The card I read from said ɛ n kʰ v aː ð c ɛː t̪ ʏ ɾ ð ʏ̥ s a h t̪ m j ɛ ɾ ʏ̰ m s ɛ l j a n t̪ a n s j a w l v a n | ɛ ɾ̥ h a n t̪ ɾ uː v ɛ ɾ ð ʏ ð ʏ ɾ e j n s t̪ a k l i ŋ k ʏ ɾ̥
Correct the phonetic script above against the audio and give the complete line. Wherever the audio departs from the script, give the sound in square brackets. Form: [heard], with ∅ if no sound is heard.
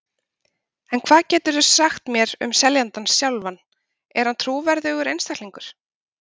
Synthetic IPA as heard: ɛ n kʰ v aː ð c ɛː t̪ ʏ ɾ ð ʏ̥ s a [x] t̪ m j ɛ ɾ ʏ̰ m s ɛ l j a n t̪ a n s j a w l v a n | ɛ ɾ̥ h a n [t̪ʰ] ɾ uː v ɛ ɾ ð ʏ [ɣ] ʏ ɾ e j n s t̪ a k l i ŋ k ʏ ɾ̥

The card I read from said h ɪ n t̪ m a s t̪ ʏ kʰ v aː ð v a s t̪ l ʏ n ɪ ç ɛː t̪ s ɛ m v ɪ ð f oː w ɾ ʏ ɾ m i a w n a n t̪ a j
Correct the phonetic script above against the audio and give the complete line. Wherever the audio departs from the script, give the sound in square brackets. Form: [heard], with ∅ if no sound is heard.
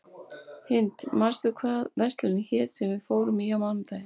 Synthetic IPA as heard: h ɪ n t̪ m a s t̪ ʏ kʰ v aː ð v [ɛ] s t̪ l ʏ n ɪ ç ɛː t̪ s ɛ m v ɪ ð f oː w ɾ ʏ [∅] m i a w [m] a n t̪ a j

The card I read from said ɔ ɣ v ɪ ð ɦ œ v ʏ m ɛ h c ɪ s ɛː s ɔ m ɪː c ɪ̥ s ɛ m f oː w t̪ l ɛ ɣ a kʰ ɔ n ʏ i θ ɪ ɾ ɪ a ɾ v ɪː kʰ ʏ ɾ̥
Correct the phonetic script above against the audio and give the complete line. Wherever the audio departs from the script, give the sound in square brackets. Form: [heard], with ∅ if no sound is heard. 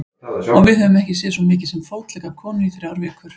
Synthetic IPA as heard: ɔ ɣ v ɪ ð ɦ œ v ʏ m ɛ h c ɪ s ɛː s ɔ m ɪː c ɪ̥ s ɛ m f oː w t̪ l ɛ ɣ a kʰ [ɔː] n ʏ i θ ɪ ɾ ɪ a ɾ v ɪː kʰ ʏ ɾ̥

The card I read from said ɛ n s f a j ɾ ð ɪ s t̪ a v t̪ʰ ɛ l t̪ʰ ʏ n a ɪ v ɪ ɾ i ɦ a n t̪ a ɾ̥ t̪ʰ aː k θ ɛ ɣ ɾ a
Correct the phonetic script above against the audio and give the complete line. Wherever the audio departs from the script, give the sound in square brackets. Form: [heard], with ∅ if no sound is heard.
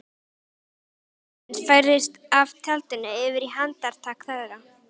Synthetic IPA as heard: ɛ n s f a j ɾ ð ɪ s t̪ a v t̪ʰ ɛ l [t̪] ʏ n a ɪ v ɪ ɾ i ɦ a n t̪ a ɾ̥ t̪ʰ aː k θ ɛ [ð] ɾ a

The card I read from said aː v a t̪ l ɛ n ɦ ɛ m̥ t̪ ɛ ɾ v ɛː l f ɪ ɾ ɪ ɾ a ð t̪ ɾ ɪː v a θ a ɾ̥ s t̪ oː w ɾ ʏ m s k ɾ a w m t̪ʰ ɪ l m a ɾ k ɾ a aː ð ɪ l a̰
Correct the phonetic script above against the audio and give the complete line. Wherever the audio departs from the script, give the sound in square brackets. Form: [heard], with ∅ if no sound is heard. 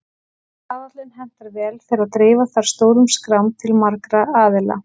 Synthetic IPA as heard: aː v a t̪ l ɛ n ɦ ɛ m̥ t̪ [a] ɾ v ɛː l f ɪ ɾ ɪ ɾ a ð t̪ ɾ ɪː v a θ a ɾ̥ s t̪ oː w ɾ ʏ m s k ɾ a w m t̪ʰ ɪ l m a ɾ k ɾ a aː ð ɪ l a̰

